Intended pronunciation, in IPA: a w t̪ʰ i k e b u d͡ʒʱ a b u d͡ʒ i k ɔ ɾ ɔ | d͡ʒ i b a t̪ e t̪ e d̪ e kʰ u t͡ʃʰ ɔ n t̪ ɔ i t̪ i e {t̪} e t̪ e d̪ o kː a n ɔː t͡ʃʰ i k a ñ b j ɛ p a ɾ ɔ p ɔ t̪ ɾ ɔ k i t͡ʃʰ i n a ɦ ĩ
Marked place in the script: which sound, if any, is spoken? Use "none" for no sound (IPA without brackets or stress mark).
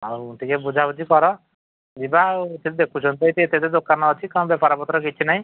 t̪